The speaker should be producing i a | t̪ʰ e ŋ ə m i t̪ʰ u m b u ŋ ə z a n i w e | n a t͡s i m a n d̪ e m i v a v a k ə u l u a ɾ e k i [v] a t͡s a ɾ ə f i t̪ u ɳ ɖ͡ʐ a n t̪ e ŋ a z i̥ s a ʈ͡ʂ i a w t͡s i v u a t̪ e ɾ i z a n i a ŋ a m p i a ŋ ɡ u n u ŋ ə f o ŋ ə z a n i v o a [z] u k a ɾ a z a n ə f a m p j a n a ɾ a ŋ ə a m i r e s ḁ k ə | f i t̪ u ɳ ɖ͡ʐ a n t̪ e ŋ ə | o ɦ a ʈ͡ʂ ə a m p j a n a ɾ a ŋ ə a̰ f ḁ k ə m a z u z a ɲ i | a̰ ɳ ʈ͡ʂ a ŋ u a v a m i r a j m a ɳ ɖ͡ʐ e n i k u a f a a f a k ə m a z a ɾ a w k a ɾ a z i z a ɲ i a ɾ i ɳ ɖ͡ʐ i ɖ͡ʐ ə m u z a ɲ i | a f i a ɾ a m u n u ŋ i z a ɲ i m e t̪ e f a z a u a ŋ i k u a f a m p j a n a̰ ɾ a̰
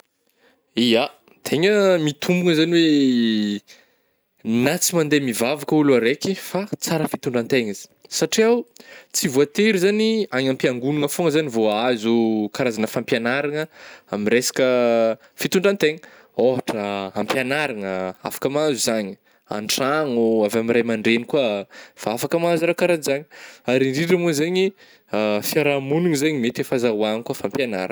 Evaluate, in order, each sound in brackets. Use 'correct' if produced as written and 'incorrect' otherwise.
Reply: incorrect, correct

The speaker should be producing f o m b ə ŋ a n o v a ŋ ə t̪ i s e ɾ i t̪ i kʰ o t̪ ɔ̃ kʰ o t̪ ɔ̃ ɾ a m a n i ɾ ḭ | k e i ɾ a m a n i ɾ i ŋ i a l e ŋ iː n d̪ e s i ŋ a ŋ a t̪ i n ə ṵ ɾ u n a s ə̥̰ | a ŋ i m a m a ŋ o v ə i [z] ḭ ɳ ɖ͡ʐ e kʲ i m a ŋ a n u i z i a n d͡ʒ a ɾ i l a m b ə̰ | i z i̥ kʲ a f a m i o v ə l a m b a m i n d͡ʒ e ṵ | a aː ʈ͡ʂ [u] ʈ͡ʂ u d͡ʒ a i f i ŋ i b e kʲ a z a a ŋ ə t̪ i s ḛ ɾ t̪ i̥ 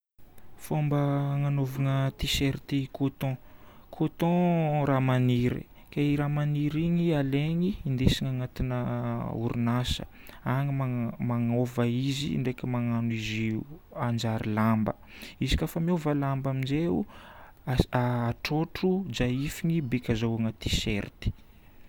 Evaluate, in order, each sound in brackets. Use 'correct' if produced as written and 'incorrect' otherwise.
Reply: correct, incorrect

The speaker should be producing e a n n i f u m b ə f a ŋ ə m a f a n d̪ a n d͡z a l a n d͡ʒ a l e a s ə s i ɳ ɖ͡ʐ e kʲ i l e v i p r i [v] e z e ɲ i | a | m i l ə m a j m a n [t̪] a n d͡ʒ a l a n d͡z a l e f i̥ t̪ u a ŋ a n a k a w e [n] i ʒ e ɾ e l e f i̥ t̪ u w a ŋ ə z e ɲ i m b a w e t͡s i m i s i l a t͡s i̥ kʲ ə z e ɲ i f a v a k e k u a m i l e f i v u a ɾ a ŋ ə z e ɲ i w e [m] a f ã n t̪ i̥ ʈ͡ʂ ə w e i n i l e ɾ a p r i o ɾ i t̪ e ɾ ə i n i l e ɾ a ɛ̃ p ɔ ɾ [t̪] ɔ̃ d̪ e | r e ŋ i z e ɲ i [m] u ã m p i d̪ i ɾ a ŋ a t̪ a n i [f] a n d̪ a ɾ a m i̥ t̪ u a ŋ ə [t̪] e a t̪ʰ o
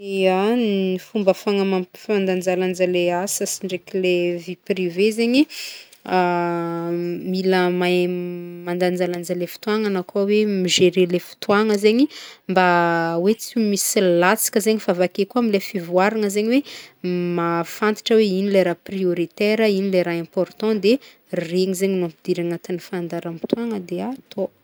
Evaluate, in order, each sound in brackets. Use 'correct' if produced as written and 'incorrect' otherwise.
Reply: correct, incorrect, incorrect, correct, correct, incorrect, correct, incorrect

